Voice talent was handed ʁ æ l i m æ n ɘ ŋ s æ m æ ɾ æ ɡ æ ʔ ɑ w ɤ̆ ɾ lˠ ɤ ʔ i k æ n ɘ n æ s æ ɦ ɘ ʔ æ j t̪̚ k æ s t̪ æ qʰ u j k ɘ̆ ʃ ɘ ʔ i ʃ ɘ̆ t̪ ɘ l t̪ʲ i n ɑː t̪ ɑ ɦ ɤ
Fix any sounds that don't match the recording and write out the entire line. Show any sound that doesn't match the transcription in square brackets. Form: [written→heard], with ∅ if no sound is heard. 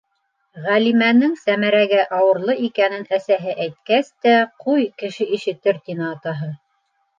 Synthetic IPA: ʁ æ l i m æ n ɘ ŋ s æ m æ ɾ æ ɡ æ ʔ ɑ w ɤ̆ ɾ lˠ ɤ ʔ i k æ n ɘ n æ s æ ɦ ɘ ʔ æ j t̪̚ k æ s t̪ æ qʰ u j k ɘ̆ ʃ ɘ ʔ i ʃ ɘ̆ t̪ ɘ [l→ɾ] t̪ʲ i n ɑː t̪ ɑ ɦ ɤ